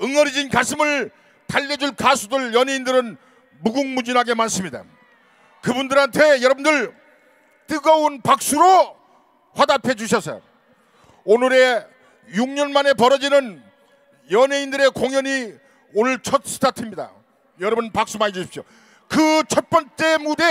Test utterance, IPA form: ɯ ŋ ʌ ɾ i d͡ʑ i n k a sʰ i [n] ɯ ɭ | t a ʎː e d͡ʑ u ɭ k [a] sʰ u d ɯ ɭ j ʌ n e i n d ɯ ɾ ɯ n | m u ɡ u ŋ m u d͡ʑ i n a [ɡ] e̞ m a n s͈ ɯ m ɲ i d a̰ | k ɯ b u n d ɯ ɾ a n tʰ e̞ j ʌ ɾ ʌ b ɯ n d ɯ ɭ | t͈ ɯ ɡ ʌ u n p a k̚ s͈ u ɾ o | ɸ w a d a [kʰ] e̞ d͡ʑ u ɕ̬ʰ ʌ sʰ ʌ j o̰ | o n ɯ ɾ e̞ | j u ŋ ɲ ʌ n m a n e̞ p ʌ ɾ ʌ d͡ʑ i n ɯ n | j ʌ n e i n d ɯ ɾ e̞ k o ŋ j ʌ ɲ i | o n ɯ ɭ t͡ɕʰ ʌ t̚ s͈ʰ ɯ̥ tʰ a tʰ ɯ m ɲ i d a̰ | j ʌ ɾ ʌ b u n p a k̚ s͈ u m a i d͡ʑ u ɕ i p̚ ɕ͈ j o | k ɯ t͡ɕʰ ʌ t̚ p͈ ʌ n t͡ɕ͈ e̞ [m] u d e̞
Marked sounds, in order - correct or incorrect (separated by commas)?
incorrect, correct, correct, incorrect, correct